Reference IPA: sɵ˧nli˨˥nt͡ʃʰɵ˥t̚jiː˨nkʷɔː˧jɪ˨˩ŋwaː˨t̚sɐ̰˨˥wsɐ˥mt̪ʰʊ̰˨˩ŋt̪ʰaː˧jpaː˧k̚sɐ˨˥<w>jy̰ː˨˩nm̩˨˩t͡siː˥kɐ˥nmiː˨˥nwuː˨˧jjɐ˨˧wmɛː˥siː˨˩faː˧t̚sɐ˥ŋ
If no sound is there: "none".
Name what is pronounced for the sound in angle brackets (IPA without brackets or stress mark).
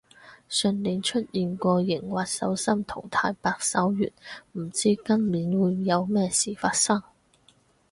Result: w